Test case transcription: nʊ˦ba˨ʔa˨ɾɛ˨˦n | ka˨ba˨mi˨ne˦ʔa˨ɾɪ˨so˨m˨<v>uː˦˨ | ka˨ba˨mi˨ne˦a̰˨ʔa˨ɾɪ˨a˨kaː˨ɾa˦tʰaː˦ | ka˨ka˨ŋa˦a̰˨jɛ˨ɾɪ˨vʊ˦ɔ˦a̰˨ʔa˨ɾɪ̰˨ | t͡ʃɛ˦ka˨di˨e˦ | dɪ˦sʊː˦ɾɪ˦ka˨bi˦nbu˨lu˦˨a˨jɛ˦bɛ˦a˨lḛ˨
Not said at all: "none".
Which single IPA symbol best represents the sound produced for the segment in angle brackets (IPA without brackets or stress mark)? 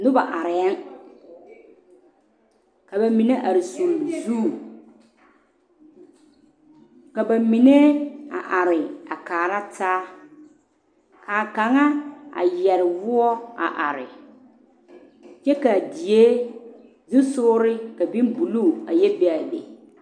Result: z